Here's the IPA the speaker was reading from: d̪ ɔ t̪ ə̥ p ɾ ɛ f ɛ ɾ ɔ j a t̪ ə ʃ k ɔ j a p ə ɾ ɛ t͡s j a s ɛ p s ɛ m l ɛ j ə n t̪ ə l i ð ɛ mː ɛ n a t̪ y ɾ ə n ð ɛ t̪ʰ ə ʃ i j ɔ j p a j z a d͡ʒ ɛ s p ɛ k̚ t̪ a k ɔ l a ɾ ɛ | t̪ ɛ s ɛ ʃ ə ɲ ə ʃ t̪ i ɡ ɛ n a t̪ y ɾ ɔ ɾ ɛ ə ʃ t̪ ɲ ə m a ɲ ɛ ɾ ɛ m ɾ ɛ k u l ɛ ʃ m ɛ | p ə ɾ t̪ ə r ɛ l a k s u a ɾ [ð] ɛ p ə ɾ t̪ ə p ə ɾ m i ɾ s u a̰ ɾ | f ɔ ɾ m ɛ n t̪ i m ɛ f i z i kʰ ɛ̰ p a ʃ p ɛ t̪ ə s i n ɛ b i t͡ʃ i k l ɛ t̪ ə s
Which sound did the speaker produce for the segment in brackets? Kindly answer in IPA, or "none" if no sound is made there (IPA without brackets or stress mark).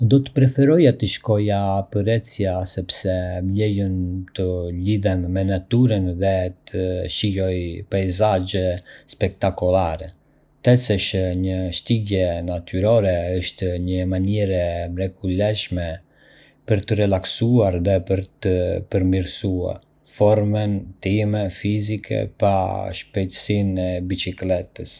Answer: ð